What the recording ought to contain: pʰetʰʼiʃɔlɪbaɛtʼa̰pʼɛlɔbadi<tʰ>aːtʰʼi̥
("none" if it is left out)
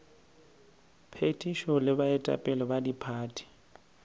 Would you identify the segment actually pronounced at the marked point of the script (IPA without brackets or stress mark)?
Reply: pʰ